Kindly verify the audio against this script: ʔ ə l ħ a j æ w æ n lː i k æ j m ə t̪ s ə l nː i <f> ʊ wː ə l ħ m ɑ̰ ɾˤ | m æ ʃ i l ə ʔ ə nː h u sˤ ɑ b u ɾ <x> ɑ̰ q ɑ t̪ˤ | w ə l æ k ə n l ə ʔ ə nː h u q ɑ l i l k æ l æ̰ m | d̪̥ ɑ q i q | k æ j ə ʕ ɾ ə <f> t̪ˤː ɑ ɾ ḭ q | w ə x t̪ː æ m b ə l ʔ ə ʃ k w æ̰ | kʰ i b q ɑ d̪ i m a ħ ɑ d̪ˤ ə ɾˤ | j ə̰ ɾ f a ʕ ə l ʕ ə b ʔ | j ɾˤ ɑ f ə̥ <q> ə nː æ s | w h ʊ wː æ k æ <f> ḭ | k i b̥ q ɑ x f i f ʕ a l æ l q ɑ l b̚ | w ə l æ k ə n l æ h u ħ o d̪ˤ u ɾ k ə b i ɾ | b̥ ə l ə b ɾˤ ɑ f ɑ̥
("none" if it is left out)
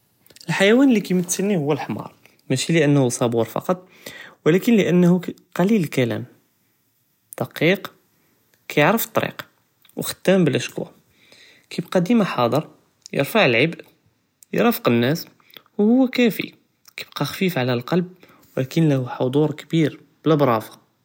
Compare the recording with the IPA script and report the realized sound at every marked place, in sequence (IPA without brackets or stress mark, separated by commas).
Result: h, f, f, q, f